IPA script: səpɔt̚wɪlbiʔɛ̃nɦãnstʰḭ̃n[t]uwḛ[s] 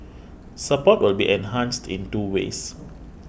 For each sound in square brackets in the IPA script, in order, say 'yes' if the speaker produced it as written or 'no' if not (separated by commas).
yes, yes